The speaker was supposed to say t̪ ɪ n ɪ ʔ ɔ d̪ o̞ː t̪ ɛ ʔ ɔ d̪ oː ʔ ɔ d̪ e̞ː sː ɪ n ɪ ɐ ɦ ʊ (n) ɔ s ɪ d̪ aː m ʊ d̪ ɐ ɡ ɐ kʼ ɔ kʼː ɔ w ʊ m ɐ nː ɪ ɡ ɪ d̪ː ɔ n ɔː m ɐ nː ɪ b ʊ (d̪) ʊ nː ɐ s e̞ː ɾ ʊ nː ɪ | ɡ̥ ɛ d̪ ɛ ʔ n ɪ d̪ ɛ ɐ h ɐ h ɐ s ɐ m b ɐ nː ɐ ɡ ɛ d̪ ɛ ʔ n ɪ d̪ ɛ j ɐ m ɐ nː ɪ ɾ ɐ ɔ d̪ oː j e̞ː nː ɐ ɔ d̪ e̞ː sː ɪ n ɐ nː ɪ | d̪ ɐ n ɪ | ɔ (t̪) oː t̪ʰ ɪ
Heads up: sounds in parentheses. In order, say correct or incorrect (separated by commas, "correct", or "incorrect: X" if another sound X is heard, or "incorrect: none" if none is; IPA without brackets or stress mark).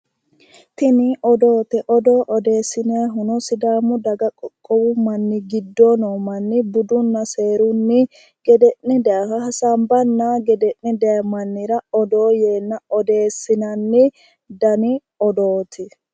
correct, correct, incorrect: d̪